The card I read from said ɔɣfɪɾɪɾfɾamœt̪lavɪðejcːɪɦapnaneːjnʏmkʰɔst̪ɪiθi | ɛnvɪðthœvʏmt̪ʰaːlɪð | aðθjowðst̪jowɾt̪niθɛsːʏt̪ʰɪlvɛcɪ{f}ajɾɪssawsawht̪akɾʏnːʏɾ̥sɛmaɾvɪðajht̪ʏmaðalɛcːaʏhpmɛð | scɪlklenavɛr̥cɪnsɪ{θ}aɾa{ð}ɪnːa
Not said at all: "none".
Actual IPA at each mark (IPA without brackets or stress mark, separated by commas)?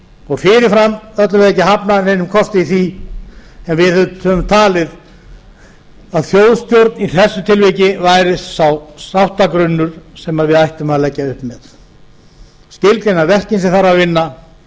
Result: v, θ, v